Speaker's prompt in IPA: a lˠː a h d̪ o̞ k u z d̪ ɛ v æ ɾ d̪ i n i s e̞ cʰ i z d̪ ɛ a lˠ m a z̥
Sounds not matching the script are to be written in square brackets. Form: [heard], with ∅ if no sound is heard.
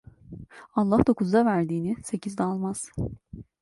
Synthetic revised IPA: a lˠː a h d̪ o̞ k u z d̪ [a] v æ ɾ d̪ [iː] n i s e̞ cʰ i z d̪ ɛ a lˠ m a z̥

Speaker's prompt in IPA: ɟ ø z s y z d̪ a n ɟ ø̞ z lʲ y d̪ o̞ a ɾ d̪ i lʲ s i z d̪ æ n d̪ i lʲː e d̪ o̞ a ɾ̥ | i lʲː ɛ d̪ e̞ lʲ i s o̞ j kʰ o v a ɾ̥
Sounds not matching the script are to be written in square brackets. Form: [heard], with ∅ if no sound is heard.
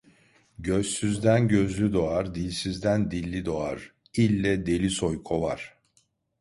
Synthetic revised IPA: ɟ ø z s y z d̪ [æ] n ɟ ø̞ z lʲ y d̪ o̞ a ɾ d̪ i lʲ s i z d̪ æ n d̪ i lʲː [i] d̪ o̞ a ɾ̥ | i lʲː ɛ d̪ e̞ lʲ i s o̞ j kʰ o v a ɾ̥

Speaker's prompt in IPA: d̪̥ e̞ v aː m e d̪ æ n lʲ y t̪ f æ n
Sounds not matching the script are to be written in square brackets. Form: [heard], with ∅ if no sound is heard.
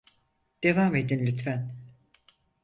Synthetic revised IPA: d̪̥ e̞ v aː m e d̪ [i] n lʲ y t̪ f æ n

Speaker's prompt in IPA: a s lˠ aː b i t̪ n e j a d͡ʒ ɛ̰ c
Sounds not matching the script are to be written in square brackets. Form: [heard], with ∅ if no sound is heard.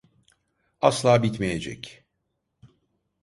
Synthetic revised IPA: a s lˠ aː b i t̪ [m] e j [e] d͡ʒ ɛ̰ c

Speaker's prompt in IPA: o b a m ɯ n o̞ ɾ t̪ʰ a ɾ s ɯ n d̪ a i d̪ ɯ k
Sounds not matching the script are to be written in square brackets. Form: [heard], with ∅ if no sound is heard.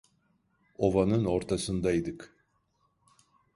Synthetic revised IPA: o [v] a [n] ɯ n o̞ ɾ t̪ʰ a [∅] s ɯ n d̪ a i d̪ ɯ k

